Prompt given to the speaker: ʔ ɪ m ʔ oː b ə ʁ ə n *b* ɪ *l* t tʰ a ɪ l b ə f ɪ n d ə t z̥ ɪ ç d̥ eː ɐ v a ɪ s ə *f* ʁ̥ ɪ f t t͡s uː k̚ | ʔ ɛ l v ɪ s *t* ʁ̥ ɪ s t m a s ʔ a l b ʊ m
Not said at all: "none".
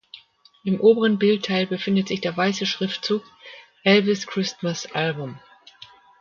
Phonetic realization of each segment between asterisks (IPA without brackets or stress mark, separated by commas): b, l, ʃ, k